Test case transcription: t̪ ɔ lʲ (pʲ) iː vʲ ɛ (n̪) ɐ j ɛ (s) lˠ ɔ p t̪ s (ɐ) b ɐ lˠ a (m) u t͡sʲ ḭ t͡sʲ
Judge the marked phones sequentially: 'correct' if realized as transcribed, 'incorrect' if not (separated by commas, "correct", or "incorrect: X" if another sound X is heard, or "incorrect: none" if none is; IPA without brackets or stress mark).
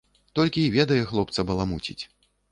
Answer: incorrect: kʲ, incorrect: d̪, incorrect: x, correct, correct